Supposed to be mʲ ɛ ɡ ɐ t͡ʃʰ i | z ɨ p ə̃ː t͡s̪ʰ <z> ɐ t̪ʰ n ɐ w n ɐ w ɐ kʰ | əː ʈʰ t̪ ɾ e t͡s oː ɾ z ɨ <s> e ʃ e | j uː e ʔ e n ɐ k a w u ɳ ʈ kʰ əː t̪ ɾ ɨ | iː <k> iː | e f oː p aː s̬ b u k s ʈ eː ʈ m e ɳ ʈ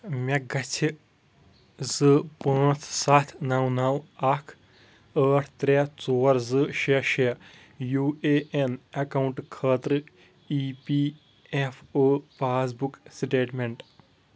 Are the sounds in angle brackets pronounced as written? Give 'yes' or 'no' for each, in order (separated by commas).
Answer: no, no, no